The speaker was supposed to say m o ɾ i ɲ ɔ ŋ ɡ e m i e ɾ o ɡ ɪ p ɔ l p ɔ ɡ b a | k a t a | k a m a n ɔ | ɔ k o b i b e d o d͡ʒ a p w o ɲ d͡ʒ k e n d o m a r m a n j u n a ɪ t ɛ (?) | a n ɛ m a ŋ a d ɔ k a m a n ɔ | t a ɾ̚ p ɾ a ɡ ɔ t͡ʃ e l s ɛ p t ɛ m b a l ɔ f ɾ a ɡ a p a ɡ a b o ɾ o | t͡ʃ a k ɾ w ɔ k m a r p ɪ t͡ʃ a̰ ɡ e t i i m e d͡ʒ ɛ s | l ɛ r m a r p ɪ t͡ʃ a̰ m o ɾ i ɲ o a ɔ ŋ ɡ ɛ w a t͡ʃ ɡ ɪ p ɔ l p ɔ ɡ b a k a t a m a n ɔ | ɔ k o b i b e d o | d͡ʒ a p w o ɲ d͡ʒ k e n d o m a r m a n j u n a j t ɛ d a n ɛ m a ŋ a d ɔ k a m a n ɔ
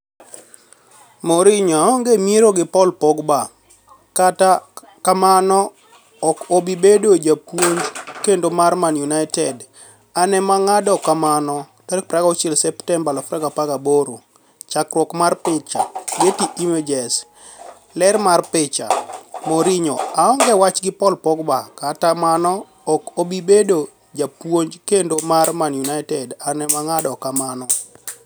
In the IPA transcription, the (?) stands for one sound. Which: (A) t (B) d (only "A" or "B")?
B